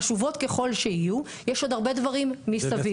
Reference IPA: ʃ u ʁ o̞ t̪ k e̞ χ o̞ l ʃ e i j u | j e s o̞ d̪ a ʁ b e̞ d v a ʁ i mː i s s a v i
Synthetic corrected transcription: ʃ u v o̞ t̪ k e̞ χ o̞ l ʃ e i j u | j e ʃ o̞ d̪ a ʁ b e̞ d v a ʁ i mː i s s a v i